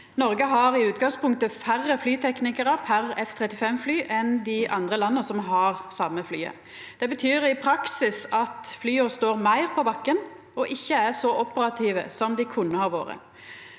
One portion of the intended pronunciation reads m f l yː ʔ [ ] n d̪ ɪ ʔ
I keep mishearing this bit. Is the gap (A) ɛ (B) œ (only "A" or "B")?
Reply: A